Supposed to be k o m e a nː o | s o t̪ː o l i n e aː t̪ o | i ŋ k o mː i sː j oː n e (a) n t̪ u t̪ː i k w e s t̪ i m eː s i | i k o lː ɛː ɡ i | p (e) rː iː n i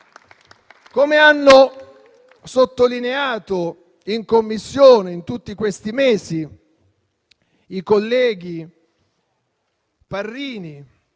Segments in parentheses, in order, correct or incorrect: incorrect: i, incorrect: a

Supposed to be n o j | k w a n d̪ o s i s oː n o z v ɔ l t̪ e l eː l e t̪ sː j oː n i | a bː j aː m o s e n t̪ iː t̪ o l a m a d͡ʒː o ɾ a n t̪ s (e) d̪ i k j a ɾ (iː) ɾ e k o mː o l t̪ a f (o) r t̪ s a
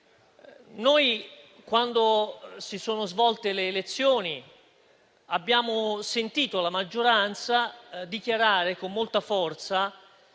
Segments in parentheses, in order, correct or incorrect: incorrect: a, incorrect: aː, incorrect: ɔ

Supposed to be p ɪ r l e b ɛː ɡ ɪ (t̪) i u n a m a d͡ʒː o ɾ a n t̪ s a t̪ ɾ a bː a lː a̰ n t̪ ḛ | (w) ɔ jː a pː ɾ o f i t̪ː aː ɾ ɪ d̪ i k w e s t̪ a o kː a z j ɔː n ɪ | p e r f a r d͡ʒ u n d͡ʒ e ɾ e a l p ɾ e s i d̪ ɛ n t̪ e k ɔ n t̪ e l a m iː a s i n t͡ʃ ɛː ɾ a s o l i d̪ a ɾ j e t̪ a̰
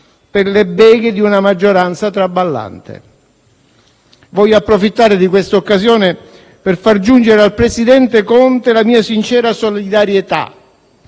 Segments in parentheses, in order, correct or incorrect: incorrect: d̪, incorrect: v

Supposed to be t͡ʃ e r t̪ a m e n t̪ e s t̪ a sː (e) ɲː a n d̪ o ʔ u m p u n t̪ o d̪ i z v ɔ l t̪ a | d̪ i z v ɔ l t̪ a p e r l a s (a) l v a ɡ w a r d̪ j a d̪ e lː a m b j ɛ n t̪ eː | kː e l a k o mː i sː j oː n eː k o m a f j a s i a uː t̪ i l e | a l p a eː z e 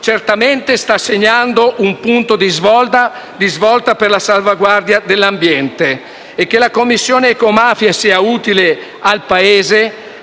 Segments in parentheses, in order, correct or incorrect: correct, correct

